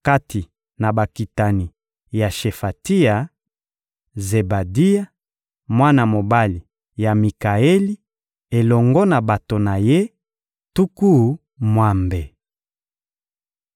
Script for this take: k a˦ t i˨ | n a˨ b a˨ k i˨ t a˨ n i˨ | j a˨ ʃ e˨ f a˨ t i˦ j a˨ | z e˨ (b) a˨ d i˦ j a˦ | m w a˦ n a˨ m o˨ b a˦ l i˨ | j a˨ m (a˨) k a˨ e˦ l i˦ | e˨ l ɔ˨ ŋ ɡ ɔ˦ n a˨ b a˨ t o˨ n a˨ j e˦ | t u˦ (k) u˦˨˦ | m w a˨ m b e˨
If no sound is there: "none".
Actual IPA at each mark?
b, i˨, k

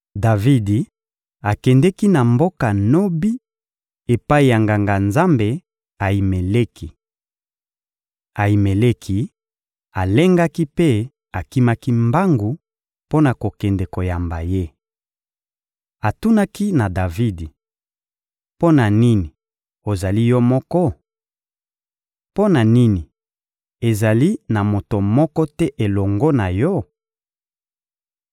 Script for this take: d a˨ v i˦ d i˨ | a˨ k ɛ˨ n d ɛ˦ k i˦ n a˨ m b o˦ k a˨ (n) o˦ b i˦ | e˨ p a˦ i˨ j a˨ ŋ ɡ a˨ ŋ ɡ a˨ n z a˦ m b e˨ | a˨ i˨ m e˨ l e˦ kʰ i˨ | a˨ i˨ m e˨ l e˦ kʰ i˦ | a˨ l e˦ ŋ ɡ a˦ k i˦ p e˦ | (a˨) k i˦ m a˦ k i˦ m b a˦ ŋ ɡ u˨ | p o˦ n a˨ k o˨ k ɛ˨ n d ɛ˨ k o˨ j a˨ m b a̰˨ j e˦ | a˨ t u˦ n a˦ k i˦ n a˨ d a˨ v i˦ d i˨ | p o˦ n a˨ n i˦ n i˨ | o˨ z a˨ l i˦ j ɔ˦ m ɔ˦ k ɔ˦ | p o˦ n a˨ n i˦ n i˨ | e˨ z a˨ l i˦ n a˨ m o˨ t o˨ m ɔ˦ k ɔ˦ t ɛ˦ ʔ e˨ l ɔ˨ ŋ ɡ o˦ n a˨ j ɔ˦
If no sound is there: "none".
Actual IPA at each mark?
n, a˨

